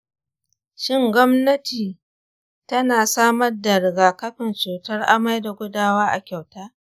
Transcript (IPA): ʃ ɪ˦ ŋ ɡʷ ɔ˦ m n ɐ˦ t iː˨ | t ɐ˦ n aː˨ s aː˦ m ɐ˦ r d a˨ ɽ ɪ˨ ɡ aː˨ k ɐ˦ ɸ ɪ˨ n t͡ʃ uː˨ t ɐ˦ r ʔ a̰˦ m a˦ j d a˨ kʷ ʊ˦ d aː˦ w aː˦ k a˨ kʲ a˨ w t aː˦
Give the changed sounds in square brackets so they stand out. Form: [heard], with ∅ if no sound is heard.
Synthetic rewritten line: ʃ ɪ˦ ŋ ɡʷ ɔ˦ m n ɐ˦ t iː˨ | t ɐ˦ n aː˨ s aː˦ m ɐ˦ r d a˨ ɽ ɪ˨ ɡ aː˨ k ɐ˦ ɸ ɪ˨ n t͡ʃ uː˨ t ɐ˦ r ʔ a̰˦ m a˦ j d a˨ [ɡʷ] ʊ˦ d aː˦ w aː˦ [ʔ] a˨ kʲ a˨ w t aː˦

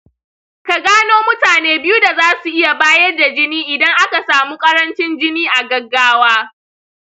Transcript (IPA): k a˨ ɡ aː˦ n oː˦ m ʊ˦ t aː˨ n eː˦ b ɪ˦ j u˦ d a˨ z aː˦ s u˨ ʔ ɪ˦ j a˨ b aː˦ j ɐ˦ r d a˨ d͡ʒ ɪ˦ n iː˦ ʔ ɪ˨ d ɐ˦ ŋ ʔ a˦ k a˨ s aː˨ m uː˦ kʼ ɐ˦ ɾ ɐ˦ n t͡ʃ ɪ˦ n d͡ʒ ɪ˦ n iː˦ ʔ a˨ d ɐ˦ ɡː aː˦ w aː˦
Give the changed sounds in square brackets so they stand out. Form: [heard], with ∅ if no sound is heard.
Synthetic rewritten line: k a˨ ɡ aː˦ n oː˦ m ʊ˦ t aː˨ n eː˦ b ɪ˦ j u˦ d a˨ z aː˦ s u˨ ʔ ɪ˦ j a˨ b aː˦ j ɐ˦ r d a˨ d͡ʒ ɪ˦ n iː˦ ʔ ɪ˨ d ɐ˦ ŋ ʔ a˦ k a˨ s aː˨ m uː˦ kʼ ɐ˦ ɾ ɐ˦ n t͡ʃ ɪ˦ n d͡ʒ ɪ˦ n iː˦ ʔ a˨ [ɡ] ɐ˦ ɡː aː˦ w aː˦

